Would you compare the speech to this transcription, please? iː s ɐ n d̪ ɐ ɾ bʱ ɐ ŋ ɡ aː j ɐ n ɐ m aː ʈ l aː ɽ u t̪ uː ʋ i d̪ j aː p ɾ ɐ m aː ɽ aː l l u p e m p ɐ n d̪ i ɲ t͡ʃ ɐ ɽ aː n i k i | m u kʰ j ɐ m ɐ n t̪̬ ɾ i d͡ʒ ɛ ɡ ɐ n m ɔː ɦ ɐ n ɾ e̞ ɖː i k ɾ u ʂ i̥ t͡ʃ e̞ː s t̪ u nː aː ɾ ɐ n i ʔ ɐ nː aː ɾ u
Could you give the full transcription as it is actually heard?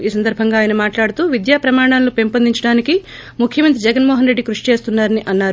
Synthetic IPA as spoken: iː s ɐ n d̪ ɐ ɾ bʱ ɐ ŋ ɡ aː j ɐ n ɐ m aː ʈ l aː ɽ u t̪ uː ʋ i d̪ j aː p ɾ ɐ m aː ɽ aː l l u p e m p ɐ n d̪ i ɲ t͡ʃ ɐ ɽ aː n i k i | m u kʰ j ɐ m ɐ n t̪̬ ɾ i d͡ʒ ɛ ɡ ɐ n m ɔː ɦ ɐ n ɾ e̞ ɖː i k ɾ u ʂ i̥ t͡ʃ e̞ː s t̪ u nː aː ɾ ɐ n i ʔ ɐ nː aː ɾ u